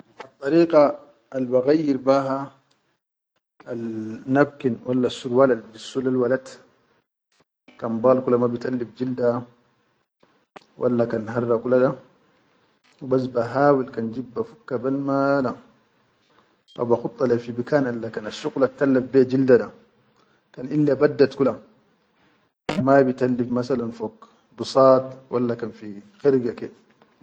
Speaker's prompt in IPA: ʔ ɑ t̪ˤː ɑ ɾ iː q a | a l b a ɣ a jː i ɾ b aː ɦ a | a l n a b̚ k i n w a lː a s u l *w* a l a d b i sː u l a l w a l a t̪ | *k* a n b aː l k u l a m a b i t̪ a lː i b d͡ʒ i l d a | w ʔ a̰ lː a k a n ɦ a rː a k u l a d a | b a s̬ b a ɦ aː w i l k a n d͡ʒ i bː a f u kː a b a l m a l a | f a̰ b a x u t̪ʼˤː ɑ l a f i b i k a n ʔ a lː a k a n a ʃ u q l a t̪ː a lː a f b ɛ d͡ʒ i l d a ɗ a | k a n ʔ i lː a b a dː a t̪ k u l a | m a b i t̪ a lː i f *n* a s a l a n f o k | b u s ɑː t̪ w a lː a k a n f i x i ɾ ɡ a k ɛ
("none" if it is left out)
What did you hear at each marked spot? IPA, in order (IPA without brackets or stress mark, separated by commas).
w, k, m